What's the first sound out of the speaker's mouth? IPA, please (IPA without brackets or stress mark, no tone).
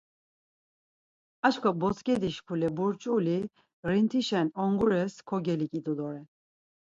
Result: a